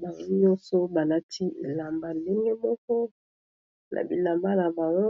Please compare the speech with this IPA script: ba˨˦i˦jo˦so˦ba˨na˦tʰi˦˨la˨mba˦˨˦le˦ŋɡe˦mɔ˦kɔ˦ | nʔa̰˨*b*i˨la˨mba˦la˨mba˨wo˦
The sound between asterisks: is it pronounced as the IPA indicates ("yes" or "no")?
yes